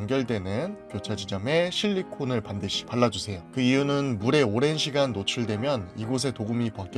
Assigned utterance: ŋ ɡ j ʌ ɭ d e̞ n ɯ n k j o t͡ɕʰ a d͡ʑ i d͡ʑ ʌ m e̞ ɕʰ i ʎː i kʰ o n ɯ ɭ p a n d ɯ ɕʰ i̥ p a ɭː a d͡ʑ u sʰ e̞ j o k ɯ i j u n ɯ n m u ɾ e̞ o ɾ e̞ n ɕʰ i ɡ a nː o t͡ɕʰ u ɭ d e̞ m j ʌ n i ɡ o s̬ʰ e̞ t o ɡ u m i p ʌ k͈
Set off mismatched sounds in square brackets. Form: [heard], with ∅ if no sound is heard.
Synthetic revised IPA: ŋ ɡ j ʌ ɭ d e̞ n ɯ n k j o t͡ɕʰ a d͡ʑ i d͡ʑ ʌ m e̞ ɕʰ i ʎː i kʰ o n ɯ ɭ p a n d ɯ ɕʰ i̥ p a ɭː a d͡ʑ u sʰ e̞ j o k ɯ i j u n ɯ n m u ɾ e̞ o ɾ e̞ n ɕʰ i ɡ a nː o t͡ɕʰ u ɭ d e̞ m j ʌ n i ɡ o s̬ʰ e̞ t o ɡ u m i p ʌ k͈